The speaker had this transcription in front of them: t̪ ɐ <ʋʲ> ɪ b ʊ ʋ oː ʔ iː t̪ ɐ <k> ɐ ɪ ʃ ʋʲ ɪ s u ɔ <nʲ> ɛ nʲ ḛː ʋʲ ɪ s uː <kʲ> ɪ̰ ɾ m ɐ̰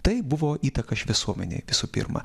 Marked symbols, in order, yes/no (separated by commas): no, yes, no, no